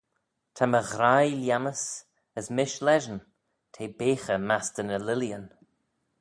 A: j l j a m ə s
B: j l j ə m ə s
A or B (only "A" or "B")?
A